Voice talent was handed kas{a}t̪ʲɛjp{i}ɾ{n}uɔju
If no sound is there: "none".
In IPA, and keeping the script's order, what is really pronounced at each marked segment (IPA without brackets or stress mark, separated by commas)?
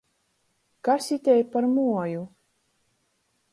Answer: i, a, m